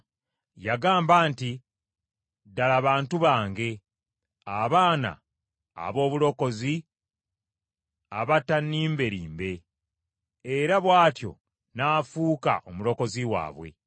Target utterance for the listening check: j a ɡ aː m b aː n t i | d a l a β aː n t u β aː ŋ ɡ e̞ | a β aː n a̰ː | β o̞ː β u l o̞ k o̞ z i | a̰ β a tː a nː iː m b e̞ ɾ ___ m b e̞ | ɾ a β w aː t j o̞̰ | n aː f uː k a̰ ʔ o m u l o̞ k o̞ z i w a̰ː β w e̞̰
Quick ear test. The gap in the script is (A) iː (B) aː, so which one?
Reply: A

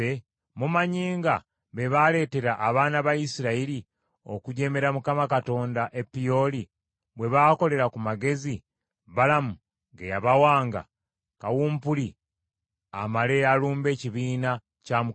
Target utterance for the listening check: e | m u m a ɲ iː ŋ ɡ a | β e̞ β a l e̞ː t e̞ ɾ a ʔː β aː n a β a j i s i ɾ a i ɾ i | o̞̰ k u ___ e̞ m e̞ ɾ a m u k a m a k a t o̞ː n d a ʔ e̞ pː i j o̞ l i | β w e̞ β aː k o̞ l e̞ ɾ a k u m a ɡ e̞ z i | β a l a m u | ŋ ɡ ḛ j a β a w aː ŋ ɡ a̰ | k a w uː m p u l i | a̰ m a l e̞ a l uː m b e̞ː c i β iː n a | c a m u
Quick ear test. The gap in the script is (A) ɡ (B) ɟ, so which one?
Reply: B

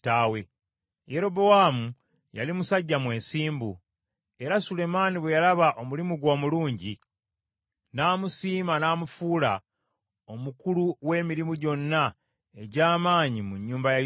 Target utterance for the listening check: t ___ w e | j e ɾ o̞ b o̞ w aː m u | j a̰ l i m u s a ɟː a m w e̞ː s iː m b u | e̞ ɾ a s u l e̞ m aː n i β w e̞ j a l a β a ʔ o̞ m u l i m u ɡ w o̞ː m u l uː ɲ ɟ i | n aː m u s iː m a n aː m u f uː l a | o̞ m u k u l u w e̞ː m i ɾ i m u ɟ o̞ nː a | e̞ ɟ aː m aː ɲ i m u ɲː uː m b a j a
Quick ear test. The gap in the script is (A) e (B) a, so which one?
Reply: B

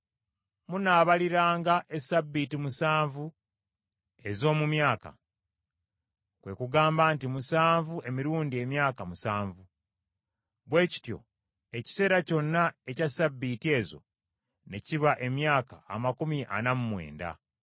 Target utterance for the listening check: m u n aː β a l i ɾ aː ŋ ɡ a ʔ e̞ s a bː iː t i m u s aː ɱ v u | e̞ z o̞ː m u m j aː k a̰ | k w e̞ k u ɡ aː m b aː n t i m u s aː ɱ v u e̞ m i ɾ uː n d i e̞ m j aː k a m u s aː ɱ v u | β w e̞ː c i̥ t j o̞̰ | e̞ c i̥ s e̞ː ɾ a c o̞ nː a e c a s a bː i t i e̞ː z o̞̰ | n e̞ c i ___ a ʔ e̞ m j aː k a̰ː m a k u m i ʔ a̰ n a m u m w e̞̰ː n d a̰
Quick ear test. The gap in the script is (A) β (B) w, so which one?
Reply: A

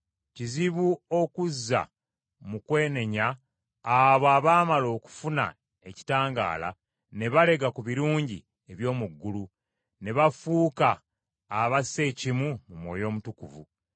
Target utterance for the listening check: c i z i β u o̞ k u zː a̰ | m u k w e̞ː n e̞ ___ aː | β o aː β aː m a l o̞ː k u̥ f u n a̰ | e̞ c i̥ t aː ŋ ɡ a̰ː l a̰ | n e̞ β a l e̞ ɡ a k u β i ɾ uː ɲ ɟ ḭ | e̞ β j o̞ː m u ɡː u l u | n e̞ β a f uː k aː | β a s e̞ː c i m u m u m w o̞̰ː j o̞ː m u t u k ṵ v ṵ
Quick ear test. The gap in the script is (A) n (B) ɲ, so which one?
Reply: B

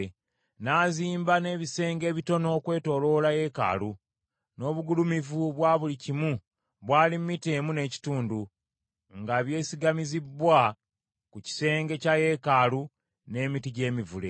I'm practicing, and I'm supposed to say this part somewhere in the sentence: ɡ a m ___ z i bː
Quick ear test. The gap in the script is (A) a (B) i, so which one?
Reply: B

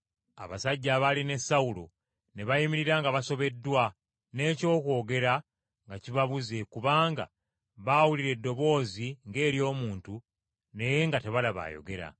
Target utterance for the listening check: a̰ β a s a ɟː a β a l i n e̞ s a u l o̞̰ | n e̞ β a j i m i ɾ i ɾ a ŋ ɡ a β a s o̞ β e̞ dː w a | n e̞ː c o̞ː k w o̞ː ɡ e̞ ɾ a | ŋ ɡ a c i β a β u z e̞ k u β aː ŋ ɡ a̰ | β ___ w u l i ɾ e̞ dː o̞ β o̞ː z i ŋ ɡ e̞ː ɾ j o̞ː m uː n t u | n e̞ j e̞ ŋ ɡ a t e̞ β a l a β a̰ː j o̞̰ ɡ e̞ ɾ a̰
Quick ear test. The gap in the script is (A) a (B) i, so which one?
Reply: A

